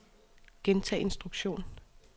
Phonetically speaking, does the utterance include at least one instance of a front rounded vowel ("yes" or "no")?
no